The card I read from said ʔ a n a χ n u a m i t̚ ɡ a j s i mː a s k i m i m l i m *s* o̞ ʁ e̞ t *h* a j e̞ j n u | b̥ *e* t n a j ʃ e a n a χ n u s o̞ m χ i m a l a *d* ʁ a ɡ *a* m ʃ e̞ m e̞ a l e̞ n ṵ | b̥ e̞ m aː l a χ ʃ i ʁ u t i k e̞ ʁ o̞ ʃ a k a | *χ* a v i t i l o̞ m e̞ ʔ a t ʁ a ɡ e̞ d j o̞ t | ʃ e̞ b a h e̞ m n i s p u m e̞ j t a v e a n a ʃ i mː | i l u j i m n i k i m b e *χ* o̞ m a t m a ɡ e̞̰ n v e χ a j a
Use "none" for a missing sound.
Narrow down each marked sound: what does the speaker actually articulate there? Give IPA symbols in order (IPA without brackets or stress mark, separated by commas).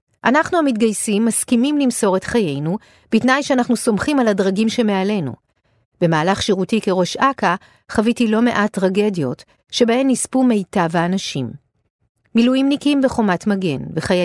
s, χ, i, d, i, χ, χ